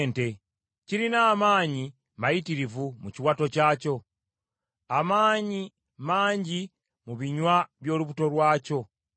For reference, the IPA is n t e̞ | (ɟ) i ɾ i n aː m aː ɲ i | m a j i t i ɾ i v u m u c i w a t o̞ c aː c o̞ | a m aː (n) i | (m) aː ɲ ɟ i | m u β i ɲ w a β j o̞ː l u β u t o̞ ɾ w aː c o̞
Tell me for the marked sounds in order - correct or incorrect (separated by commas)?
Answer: incorrect, incorrect, correct